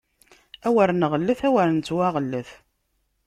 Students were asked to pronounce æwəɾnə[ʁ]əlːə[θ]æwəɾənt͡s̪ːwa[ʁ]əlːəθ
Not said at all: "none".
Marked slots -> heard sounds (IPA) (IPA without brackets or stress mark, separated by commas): ʁ, θ, ʁ